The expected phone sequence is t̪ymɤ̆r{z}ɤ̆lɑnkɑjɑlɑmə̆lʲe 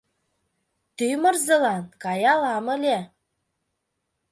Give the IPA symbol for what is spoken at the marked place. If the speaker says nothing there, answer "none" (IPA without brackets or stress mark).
z